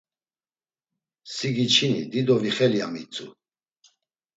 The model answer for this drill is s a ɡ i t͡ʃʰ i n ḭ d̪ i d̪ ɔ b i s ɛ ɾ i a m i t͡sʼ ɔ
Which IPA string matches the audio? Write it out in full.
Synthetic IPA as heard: s i ɡ i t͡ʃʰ i n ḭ d̪ i d̪ ɔ v i χ ɛ l i a m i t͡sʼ u